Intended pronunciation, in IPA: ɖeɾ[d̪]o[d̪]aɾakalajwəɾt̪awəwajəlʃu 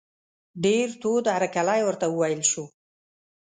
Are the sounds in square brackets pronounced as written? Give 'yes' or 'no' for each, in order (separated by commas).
no, yes